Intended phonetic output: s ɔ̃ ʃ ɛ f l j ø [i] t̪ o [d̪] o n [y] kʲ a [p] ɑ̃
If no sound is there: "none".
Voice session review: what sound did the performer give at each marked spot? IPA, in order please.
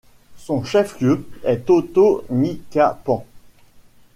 ɛ, t̪, i, p

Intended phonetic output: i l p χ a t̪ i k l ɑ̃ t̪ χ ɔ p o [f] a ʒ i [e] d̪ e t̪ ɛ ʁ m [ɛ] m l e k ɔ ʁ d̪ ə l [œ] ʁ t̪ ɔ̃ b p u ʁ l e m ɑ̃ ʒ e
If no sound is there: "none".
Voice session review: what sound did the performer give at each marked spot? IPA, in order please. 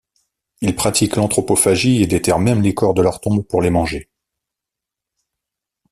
f, e, ɛ, œ

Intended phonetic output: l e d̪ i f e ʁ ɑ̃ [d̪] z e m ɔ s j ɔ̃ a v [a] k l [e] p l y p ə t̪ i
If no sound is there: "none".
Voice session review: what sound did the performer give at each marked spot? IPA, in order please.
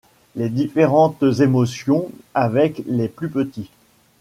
t̪, ɛ, e

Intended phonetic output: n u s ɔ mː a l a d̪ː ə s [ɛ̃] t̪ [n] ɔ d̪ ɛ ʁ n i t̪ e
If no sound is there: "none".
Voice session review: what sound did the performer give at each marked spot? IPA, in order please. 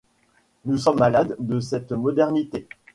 ɛ, m

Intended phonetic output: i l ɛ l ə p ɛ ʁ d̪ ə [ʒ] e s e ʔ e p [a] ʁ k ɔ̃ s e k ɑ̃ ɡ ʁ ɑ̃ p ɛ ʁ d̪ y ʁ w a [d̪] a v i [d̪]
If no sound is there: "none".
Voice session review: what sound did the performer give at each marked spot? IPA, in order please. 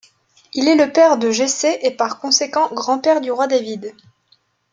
ʒ, a, d̪, d̪

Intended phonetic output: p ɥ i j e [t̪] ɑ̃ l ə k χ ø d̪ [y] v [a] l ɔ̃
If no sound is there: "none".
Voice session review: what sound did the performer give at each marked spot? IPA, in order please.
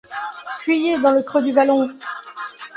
d̪, y, a

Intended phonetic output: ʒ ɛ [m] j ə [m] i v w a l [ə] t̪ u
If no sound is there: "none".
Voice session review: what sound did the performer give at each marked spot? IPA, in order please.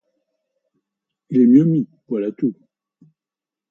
m, m, a

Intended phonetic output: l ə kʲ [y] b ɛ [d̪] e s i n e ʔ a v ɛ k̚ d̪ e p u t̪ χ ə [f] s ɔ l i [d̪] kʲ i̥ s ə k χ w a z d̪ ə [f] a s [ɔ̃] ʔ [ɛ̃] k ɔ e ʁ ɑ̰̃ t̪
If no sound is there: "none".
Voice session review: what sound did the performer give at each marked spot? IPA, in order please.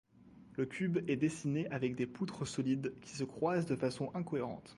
y, d̪, none, d̪, f, ɔ̃, ɛ̃

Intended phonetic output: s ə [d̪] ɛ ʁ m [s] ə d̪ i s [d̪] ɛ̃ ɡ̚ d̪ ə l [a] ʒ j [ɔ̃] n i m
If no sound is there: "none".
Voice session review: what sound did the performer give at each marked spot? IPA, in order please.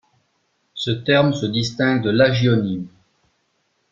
t̪, s, t̪, a, ɔ

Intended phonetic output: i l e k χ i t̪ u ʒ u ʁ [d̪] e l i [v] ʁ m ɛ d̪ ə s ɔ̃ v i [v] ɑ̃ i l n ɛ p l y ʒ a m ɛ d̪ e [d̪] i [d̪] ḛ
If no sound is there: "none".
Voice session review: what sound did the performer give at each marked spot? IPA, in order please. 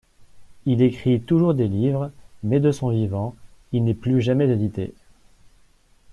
d̪, v, v, d̪, t̪

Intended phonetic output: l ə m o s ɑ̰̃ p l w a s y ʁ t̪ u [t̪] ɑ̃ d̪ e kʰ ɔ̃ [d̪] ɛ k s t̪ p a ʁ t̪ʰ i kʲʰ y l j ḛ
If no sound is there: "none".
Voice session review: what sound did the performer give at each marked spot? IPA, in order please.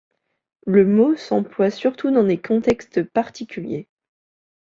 d̪, t̪

